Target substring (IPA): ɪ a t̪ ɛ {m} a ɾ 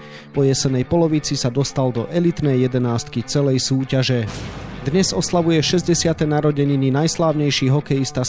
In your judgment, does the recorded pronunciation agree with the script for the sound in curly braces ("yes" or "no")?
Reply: no